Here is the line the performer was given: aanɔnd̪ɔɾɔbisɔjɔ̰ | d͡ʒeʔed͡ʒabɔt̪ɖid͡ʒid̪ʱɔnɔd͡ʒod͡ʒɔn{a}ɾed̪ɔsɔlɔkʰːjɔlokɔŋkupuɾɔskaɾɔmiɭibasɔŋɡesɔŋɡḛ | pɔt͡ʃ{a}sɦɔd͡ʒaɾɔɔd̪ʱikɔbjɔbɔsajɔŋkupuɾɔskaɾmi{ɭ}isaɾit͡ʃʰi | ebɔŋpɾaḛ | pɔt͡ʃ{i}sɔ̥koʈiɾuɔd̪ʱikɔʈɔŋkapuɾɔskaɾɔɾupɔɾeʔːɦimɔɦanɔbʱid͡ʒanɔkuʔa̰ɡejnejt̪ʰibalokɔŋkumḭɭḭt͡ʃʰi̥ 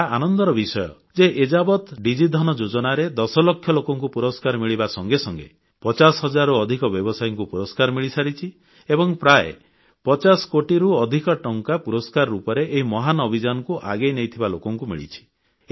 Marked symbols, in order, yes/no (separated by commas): yes, yes, yes, no